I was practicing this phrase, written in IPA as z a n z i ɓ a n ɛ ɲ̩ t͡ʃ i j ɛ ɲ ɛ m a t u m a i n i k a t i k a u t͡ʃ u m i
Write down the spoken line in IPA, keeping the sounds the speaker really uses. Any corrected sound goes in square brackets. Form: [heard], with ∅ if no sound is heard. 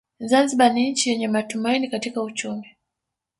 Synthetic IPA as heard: z a n z i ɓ a n [i] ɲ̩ t͡ʃ i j ɛ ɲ ɛ m a t u m a i n i k a t i k a u t͡ʃ u m i